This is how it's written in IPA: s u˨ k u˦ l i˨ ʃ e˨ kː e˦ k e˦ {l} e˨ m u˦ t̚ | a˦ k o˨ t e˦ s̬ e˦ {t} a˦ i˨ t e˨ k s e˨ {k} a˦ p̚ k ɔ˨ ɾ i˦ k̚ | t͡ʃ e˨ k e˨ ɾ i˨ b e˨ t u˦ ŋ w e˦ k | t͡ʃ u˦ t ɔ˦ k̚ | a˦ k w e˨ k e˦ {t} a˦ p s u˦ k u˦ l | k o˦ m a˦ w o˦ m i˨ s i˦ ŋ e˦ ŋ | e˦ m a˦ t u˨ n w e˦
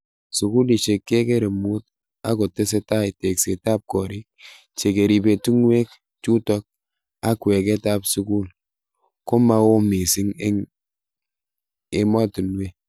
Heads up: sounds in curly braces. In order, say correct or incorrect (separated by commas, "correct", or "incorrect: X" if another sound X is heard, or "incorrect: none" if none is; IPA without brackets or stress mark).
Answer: incorrect: ɾ, correct, incorrect: t, correct